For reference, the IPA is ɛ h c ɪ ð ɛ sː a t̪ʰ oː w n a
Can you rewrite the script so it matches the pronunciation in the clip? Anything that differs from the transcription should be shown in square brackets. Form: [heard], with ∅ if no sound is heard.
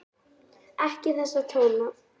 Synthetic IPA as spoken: ɛ h c ɪ [θ] ɛ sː a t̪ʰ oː w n a